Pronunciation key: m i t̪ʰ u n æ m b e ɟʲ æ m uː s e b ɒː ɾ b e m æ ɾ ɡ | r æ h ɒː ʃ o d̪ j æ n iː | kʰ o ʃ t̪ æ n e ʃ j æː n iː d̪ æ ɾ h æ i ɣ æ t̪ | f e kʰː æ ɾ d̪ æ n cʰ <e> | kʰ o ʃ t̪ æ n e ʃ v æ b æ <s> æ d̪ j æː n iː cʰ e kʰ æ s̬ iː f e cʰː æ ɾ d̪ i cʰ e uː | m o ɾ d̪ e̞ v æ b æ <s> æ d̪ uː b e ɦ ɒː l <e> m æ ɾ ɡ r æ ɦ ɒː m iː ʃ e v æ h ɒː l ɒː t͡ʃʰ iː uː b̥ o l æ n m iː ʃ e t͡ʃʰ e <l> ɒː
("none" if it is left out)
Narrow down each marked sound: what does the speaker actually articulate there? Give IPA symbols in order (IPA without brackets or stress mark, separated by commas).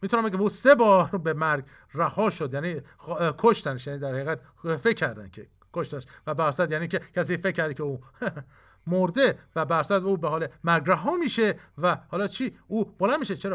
e, s, s, e, ɾ